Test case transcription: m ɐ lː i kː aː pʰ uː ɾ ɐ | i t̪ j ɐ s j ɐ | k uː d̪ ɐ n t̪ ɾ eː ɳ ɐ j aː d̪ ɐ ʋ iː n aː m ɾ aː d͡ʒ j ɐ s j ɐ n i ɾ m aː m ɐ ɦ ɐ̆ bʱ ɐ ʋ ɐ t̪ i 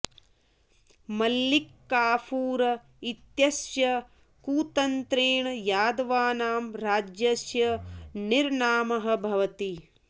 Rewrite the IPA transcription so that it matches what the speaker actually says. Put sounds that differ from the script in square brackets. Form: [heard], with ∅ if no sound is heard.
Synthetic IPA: m ɐ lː i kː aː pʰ uː ɾ ɐ | i t̪ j ɐ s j ɐ | k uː [t̪] ɐ n t̪ ɾ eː ɳ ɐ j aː d̪ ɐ ʋ [aː] n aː m ɾ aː d͡ʒ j ɐ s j ɐ n i ɾ [ɳ] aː m ɐ ɦ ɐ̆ bʱ ɐ ʋ ɐ t̪ i